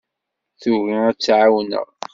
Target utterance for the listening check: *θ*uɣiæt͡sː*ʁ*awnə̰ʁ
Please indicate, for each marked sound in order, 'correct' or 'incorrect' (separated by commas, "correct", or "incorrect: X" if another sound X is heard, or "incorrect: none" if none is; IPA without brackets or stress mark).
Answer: correct, incorrect: ʕ